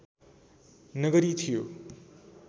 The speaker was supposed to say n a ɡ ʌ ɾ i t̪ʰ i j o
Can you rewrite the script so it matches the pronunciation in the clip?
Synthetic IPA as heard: n ʌ ɡ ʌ ɾ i t̪ʰ i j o